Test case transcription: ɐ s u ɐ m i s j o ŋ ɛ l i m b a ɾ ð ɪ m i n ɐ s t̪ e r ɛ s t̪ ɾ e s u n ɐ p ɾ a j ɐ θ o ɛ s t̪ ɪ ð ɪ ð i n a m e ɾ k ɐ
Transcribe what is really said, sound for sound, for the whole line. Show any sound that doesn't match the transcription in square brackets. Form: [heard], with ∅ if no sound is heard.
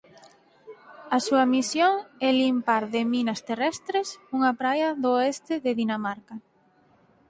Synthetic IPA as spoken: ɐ s u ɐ m i s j o ŋ ɛ l i m [p] a ɾ ð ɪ m i n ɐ s t̪ e r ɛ s t̪ ɾ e s u [ŋ] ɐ p ɾ a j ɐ [ð] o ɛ s t̪ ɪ ð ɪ ð i n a m [a] ɾ k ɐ